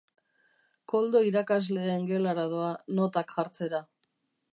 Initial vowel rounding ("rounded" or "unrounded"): rounded